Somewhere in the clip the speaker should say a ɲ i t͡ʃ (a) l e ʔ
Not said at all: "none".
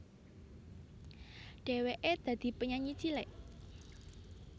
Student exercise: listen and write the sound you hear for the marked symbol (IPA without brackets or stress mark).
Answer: i